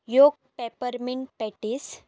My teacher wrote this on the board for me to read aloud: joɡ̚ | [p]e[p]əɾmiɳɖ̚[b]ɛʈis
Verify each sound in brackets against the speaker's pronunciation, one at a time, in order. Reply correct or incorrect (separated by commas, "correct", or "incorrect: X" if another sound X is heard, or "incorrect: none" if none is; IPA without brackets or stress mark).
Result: correct, correct, incorrect: p